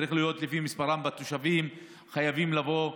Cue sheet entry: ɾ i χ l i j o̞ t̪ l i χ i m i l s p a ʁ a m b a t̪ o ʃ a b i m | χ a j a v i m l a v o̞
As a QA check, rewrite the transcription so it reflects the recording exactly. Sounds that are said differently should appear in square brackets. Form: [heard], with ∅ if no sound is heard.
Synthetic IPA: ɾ i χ l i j o̞ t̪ l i [f] i m i [∅] s p a ʁ a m b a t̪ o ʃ a [v] i m | χ a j a v i m l a v o̞